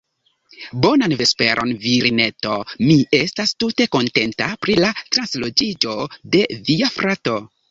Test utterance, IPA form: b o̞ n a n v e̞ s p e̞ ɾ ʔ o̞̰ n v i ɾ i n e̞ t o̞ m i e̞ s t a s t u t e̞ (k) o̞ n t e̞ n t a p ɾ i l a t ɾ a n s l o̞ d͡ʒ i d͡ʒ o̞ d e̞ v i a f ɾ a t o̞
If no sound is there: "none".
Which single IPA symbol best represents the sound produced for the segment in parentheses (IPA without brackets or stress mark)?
k